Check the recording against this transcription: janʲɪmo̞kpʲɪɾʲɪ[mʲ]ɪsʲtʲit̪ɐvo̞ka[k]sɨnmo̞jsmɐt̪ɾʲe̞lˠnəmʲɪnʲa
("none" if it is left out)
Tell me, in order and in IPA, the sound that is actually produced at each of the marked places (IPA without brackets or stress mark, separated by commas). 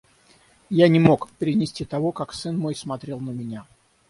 nʲ, k